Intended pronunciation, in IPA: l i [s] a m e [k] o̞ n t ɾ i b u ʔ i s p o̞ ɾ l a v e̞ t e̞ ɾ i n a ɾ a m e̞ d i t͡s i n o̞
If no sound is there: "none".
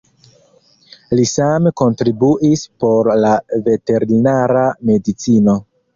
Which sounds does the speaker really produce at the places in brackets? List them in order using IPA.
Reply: s, k

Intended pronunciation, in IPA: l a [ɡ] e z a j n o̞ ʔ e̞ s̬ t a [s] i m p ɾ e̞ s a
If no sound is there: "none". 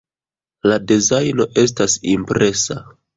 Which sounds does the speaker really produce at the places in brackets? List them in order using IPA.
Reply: d, s

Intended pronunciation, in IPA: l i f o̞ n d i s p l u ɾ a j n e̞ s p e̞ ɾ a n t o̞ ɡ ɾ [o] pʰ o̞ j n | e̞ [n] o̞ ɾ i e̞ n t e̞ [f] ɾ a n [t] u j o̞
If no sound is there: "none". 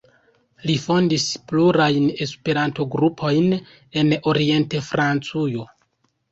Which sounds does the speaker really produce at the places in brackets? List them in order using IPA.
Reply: u, n, f, t͡s

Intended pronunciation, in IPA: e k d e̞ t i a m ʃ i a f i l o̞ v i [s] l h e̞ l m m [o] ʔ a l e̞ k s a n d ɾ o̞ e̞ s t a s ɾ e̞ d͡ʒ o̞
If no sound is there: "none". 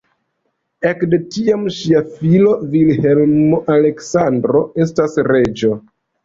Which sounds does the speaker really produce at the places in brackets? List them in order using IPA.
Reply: none, o

